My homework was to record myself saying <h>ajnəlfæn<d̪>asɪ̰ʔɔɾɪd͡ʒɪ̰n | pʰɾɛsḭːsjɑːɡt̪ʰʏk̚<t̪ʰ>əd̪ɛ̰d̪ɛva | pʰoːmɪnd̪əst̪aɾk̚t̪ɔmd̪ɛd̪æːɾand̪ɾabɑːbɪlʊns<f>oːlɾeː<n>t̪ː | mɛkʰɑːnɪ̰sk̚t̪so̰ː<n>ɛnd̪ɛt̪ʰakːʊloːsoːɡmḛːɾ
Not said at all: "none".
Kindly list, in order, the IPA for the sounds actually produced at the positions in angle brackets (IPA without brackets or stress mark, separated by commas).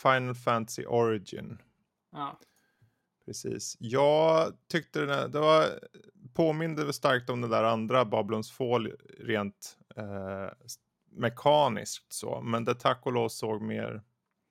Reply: f, t̪, t̪, f, n, m